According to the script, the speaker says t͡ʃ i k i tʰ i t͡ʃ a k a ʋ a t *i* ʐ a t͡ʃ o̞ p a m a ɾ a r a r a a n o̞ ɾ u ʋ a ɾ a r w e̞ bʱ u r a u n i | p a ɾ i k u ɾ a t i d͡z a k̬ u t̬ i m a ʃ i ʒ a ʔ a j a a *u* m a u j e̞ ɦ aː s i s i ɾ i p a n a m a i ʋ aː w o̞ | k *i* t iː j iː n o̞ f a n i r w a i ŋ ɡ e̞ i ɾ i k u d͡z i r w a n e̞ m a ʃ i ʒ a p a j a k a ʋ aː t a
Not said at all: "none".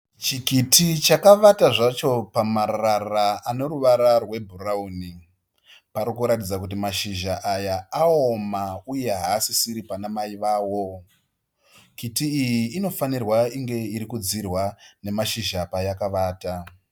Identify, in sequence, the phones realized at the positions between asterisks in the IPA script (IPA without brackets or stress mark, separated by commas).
a, o, i